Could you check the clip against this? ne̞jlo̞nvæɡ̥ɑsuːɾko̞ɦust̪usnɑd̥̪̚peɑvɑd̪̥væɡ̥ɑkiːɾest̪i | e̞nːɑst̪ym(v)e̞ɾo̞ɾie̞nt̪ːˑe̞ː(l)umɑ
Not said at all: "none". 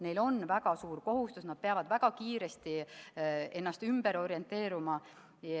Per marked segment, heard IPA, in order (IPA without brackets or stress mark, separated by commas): b, ɾ